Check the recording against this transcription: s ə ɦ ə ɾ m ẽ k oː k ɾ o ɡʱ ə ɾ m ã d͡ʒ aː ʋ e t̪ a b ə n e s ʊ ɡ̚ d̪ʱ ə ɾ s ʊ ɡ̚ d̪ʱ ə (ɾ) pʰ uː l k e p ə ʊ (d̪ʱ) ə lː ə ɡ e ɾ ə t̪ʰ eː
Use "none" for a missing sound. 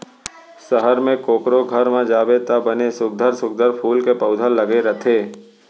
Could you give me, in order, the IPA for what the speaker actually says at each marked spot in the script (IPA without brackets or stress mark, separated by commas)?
ɾ, d̪ʱ